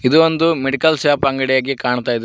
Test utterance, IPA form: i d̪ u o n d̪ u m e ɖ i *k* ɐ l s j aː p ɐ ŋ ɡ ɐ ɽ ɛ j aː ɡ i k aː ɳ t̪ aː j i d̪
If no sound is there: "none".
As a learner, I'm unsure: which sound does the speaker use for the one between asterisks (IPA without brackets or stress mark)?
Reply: k